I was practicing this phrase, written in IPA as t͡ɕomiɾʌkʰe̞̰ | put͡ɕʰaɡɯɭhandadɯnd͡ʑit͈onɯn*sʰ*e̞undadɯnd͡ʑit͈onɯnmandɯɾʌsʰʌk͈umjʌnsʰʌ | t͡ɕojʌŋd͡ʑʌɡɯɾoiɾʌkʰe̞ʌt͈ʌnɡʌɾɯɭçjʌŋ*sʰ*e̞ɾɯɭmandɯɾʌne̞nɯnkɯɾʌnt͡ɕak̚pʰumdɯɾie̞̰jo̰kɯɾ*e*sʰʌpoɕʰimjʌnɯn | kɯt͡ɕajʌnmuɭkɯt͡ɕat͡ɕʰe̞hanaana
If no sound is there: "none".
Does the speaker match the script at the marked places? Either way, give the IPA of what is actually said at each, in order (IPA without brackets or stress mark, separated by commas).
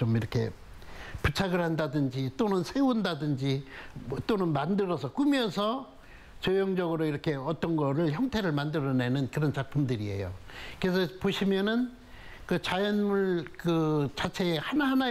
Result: sʰ, tʰ, e